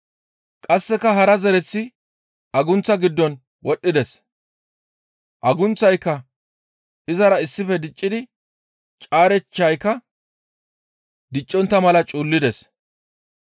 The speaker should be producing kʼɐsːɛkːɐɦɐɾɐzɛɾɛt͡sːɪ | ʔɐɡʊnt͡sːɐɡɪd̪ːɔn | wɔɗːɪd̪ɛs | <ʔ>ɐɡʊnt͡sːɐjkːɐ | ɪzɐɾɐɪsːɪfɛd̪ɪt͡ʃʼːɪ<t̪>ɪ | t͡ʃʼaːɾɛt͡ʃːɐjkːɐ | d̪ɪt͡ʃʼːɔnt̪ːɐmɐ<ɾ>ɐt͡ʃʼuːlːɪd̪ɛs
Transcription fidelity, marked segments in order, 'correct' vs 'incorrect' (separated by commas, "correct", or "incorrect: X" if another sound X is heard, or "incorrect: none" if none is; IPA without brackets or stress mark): correct, incorrect: d̪, incorrect: l